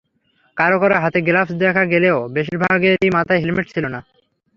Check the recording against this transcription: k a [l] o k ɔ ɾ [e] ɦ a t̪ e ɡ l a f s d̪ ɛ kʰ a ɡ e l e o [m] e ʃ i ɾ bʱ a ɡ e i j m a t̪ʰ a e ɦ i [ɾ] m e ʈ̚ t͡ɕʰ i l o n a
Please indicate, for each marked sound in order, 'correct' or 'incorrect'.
incorrect: ɾ, incorrect: a, incorrect: b, incorrect: l

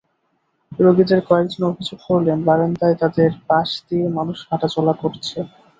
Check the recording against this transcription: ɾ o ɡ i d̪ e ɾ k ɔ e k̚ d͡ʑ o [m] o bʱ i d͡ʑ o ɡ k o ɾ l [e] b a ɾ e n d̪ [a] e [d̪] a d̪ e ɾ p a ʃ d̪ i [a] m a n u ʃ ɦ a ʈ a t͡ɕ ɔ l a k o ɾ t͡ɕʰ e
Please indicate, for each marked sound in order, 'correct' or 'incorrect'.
incorrect: n, correct, correct, incorrect: t̪, incorrect: e

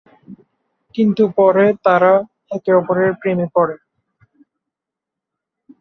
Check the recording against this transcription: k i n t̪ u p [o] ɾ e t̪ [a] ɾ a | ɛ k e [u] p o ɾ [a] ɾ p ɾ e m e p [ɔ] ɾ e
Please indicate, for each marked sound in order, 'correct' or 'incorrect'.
incorrect: ɔ, correct, incorrect: ɔ, incorrect: e, correct

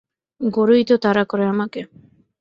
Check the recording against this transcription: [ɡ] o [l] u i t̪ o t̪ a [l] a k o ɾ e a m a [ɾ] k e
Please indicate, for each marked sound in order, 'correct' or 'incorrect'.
correct, incorrect: ɾ, incorrect: ɾ, incorrect: none

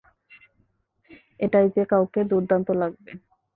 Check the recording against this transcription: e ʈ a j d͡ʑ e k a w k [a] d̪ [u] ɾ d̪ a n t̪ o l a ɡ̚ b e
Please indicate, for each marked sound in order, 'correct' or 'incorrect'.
incorrect: e, correct

